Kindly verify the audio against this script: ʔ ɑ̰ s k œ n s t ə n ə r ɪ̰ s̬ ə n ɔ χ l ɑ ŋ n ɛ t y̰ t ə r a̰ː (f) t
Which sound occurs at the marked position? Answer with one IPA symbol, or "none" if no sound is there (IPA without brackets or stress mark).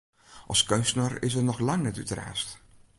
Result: s